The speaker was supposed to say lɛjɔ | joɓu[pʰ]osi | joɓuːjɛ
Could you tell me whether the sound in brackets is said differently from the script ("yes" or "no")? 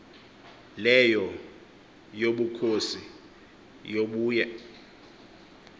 yes